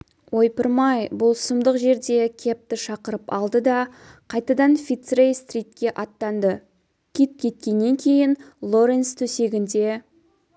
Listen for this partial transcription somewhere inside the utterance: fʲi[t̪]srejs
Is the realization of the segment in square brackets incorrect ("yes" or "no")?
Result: no